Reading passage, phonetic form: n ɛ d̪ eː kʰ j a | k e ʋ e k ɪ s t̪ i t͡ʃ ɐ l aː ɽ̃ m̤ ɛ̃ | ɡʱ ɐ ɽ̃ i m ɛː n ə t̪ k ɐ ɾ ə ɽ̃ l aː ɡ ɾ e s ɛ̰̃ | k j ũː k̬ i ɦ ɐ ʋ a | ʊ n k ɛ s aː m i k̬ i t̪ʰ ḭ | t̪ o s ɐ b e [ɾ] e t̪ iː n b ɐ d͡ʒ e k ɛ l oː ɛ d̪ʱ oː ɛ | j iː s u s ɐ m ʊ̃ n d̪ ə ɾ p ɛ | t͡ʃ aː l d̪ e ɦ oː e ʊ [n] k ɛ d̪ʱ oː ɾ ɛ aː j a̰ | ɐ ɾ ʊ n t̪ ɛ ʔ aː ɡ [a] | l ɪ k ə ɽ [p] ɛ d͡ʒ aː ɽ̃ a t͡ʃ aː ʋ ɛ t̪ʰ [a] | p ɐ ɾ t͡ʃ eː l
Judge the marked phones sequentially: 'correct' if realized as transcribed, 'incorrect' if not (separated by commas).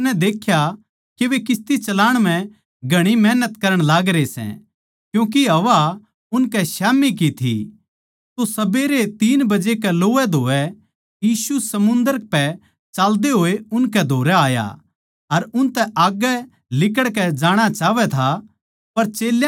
correct, correct, incorrect, incorrect, correct